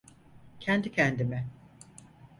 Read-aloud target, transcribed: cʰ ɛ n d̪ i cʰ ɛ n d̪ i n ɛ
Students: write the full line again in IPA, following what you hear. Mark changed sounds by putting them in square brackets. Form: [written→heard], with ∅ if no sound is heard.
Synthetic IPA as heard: cʰ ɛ n d̪ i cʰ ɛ n d̪ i [n→m] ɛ

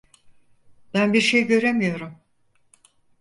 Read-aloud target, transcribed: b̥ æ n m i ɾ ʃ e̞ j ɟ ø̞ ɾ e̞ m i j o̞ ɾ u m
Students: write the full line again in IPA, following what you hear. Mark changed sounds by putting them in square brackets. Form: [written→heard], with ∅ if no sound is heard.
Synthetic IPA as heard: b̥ æ n [m→b] i ɾ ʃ e̞ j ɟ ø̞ ɾ e̞ m i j o̞ ɾ u m

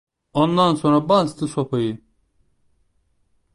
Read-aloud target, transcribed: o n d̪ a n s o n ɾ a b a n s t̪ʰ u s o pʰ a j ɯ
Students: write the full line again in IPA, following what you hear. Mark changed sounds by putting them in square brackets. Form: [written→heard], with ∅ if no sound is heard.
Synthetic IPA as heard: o n d̪ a n s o n ɾ a b a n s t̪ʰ [u→ɯ] s o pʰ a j ɯ

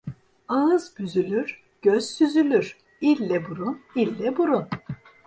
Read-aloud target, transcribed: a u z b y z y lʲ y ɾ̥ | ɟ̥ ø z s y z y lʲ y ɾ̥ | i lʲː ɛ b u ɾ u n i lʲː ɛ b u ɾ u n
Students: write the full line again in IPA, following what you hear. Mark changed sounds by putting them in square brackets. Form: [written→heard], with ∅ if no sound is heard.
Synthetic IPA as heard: a [u→ɯ] z b y z y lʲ y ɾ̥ | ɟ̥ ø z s y z y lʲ y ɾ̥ | i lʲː ɛ b u ɾ u n i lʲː ɛ b u ɾ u n

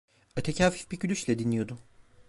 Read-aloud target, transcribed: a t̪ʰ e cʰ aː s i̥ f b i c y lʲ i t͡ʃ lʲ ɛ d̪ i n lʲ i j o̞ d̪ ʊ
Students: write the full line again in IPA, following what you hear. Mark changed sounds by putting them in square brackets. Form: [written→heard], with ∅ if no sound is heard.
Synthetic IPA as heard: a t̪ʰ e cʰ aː [s→f] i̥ f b i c y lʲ [i→y] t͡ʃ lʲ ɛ d̪ i n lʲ i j o̞ d̪ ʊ

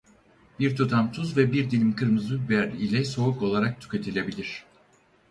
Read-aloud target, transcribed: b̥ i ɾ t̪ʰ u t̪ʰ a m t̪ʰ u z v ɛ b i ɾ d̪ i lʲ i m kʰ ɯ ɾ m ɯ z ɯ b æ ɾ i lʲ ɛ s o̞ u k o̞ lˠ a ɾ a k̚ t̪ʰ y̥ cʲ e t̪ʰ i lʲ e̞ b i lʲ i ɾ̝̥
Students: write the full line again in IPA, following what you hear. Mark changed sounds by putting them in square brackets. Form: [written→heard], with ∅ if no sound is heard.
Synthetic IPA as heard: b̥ i ɾ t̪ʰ u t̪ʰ a m t̪ʰ u z v ɛ b i ɾ d̪ i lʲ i m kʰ ɯ ɾ m ɯ z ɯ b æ ɾ i lʲ ɛ s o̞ u k o̞ lˠ a ɾ a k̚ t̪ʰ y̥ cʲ e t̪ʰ i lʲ e̞ b i lʲ i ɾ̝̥

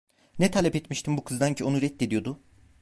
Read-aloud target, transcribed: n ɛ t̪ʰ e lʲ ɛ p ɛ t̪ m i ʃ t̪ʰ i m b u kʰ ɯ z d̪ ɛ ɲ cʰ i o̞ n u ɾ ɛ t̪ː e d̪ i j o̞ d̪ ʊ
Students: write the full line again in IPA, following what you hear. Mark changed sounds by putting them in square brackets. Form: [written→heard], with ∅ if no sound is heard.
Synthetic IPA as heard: n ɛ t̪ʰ [e→a] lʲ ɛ p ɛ t̪ m i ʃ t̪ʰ i m b u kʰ ɯ z d̪ [ɛ→a] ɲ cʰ i o̞ n u ɾ ɛ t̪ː e d̪ i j o̞ d̪ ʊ

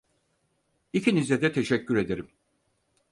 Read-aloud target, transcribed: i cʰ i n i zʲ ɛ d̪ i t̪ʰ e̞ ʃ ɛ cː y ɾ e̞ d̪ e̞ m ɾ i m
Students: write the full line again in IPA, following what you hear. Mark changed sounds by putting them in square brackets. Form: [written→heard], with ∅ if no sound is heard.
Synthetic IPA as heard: i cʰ i n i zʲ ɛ d̪ [i→ɛ] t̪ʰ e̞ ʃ ɛ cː y ɾ e̞ d̪ e̞ [m→∅] ɾ i m

